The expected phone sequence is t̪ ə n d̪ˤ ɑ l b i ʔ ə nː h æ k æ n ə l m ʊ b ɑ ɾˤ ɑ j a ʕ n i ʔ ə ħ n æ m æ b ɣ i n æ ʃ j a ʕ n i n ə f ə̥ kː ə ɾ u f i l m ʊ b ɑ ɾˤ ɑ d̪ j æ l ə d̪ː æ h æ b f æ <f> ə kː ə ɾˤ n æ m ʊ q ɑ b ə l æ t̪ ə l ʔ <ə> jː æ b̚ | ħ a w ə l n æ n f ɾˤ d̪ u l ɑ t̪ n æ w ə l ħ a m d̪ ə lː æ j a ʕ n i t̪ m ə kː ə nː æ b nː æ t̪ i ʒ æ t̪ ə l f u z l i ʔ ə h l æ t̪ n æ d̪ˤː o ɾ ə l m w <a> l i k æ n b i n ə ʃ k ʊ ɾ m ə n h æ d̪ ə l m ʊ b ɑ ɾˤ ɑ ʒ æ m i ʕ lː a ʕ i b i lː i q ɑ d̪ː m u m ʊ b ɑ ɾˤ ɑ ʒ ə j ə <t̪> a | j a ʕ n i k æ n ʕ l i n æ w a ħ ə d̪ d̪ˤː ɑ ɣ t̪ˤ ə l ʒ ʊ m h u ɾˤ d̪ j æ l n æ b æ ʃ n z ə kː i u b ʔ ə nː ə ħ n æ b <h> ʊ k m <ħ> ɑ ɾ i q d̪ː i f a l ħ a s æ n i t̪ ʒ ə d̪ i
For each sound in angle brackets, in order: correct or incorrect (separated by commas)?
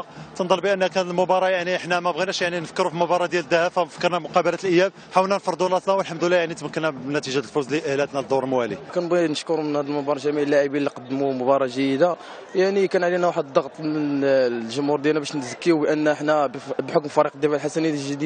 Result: correct, correct, incorrect, incorrect, incorrect, incorrect